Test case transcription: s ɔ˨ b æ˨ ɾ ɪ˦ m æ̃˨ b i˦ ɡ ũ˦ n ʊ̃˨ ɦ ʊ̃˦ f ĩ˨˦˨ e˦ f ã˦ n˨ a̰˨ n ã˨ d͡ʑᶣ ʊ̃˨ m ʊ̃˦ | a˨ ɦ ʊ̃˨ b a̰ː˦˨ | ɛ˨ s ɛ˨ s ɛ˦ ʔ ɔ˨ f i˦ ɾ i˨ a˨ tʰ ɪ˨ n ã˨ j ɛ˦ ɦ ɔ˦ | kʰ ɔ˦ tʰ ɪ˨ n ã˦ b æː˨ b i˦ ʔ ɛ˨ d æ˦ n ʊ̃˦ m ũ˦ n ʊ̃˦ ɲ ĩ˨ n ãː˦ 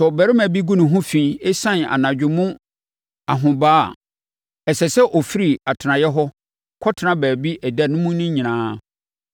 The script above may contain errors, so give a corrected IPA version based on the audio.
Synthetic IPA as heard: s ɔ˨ b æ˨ ɾ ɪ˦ m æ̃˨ b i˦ ɡ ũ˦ n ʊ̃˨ ɦ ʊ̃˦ f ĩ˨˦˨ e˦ s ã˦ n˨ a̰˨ n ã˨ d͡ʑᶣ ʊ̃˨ m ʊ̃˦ | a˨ ɦ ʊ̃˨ b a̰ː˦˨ | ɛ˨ s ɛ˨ s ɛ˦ ʔ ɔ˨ f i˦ ɾ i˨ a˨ tʰ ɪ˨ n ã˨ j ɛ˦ ɦ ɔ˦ | kʰ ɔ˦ tʰ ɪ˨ n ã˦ b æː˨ b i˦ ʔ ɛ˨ d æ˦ n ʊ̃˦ m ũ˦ n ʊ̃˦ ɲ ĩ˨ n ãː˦